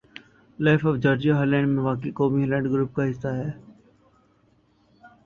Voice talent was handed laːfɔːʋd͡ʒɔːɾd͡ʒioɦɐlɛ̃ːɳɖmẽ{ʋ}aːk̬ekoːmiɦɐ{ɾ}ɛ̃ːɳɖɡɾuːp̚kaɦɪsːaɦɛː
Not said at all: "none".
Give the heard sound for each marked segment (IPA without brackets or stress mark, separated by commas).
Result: ʋ, l